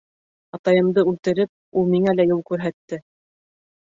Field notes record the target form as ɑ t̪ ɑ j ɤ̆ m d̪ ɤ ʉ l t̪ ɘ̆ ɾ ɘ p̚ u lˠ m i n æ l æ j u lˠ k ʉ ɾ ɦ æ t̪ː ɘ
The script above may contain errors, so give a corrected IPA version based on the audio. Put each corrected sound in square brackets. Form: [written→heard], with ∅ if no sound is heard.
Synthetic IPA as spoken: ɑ t̪ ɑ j ɤ̆ m d̪ ɤ ʉ l t̪ ɘ̆ ɾ ɘ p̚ u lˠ m i [n→ŋ] æ l æ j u lˠ k ʉ ɾ ɦ æ t̪ː ɘ